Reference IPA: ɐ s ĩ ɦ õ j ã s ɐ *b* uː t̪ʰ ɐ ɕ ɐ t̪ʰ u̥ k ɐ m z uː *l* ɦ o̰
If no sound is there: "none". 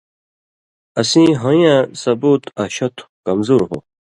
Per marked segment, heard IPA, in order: b, ɾ

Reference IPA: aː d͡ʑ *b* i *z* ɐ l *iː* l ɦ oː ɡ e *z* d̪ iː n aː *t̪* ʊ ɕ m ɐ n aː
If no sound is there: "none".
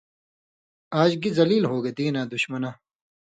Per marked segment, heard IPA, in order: ɡ, z, iː, none, d̪

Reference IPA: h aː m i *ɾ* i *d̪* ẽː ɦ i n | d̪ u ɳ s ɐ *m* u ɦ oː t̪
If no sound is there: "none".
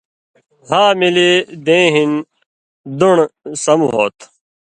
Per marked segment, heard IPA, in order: l, d̪, m

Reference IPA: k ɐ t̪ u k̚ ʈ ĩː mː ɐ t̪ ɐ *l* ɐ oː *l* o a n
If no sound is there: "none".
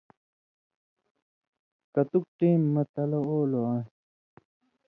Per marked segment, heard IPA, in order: l, l

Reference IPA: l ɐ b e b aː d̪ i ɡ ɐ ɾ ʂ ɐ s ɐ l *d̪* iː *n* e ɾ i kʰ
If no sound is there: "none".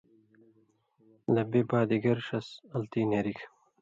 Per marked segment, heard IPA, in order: t̪, n

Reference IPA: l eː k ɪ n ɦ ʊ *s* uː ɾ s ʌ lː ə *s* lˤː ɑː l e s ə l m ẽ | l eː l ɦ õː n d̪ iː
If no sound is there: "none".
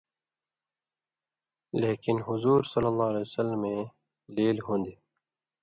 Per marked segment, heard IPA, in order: z, none

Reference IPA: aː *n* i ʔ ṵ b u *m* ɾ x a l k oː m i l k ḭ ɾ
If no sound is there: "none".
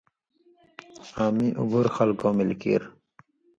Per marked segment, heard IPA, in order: m, none

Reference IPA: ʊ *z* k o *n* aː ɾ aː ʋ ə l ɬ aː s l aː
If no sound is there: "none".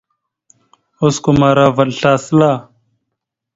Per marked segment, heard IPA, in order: s, m

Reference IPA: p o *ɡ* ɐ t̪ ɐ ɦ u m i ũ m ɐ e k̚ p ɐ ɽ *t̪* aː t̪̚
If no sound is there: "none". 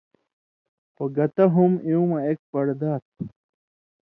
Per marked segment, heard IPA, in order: ɡ, d̪

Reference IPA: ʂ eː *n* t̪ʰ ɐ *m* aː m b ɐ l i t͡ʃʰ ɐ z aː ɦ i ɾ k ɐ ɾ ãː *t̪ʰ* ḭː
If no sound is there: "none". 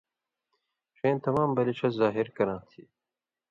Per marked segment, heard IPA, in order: n, m, t̪ʰ

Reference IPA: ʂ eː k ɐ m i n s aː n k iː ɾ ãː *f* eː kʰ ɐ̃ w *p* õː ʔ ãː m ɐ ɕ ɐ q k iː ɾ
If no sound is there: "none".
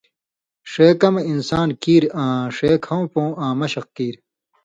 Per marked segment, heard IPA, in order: ʂ, p

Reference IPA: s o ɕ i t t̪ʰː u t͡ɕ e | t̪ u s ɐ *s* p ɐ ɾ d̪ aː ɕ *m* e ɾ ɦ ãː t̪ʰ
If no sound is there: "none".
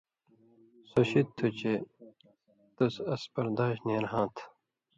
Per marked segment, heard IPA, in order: s, n

